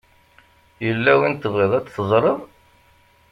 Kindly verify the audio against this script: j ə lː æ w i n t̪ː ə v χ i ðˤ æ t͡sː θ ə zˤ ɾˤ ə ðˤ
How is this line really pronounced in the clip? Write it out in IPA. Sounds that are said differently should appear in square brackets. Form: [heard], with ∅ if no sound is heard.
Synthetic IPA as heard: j ə lː æ w i n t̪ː ə v [ʁ] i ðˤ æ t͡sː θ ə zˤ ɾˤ ə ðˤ

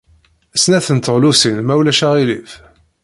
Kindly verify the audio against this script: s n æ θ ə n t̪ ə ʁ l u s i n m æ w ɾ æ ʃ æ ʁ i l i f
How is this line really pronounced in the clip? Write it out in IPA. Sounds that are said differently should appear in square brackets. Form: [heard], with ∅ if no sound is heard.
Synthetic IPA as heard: s n æ θ ə n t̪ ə ʁ l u s i n m æ w [l] æ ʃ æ ʁ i l i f

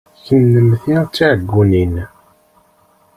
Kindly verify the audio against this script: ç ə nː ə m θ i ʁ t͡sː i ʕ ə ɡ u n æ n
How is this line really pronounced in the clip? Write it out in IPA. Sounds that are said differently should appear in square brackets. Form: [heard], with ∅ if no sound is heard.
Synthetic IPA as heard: ç ə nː ə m θ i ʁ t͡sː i ʕ ə [ɡː] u n [i] n

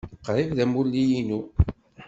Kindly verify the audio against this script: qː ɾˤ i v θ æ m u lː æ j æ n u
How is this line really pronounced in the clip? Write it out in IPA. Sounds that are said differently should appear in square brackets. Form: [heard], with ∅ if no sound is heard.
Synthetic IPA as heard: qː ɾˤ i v [ð] æ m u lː [i] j [i] n u

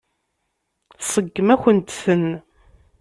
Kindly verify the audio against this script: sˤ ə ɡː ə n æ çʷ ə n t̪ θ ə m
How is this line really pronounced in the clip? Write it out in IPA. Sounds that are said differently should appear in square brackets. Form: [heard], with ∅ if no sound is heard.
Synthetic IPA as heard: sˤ ə ɡː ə [m] æ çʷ ə n t̪ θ ə [n]

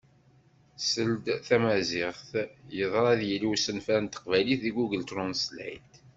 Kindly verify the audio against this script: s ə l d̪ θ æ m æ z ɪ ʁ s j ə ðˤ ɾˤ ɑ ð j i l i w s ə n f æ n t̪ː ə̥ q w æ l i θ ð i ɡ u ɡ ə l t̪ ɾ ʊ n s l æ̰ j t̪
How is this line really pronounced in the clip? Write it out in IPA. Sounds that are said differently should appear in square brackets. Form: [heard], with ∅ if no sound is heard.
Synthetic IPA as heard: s ə l d̪ θ æ m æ z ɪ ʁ [θ] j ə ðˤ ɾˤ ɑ ð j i l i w s ə n f æ n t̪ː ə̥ q [v] æ l i θ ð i ɡ u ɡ ə l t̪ ɾ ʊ n s l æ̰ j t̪

